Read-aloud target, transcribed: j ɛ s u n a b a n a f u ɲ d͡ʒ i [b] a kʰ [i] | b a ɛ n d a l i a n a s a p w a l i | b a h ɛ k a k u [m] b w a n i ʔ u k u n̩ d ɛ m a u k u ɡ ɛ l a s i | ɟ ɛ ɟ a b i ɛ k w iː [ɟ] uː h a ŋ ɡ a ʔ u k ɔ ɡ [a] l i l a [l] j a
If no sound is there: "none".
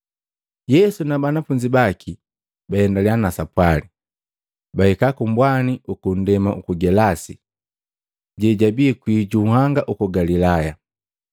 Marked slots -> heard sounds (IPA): b, i, m, ɟ, a, none

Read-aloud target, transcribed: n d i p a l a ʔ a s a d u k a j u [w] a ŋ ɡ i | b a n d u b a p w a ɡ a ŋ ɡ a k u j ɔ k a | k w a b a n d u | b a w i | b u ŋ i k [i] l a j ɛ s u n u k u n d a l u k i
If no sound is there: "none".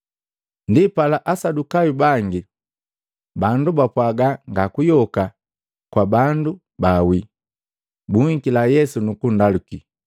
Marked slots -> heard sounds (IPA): b, i

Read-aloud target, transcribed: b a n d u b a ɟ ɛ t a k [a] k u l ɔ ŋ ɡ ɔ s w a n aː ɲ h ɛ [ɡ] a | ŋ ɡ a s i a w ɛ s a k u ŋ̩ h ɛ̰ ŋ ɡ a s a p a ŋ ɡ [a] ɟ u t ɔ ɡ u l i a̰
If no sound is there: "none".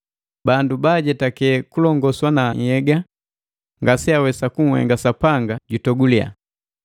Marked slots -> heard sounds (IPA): ɛ, ɡ, a

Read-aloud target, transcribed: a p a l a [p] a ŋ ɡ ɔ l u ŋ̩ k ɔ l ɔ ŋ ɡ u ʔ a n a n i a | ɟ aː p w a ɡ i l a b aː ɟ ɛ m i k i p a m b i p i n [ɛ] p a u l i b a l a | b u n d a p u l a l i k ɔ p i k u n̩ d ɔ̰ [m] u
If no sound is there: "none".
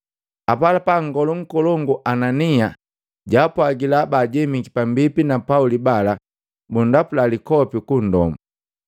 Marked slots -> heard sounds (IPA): p, a, m

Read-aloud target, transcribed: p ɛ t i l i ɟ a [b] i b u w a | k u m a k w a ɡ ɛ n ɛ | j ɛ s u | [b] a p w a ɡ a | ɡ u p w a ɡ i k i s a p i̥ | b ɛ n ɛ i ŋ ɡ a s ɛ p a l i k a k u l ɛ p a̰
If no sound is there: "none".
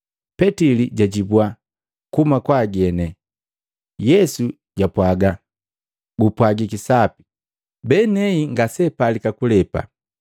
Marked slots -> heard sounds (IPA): ɟ, ɟ

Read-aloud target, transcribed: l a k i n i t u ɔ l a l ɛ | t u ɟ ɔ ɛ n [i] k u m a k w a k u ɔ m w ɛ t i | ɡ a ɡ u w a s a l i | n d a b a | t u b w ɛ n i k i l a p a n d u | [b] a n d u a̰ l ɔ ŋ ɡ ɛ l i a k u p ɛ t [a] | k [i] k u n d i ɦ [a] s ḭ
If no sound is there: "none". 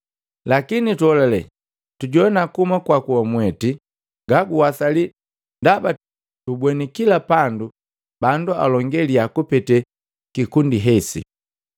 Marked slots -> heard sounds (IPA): a, b, ɛ, i, ɛ

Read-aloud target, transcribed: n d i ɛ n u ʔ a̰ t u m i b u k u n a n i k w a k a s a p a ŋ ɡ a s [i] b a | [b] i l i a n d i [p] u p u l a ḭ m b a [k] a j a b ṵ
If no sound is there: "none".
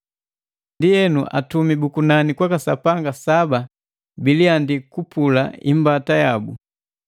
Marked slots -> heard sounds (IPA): a, b, k, t

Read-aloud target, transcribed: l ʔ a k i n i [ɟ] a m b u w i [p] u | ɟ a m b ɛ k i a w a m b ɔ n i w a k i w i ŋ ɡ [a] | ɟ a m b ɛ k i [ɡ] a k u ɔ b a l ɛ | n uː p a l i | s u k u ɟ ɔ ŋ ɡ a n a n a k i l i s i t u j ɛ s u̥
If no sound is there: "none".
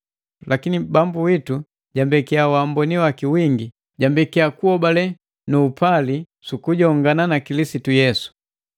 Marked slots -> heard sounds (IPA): b, t, i, none

